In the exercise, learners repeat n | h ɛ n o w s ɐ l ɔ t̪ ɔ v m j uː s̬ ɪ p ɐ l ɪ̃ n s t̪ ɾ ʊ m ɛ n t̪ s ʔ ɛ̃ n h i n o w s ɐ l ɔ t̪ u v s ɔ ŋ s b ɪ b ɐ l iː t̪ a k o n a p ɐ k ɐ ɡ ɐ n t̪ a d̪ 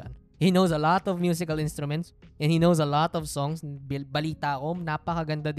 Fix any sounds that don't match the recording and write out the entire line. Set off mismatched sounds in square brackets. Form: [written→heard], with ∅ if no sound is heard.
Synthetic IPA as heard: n | h [ɛ→i] n o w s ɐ l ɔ t̪ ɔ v m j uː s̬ ɪ [p→k] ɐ l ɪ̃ n s t̪ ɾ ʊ m ɛ n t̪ s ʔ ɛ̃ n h i n o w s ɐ l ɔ t̪ [u→ɔ] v s ɔ ŋ s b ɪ b ɐ l iː t̪ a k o n a p ɐ k ɐ ɡ ɐ n [t̪→d̪] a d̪